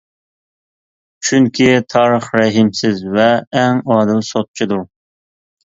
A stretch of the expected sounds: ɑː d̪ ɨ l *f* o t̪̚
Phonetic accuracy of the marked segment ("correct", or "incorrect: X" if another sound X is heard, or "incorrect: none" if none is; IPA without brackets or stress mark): incorrect: s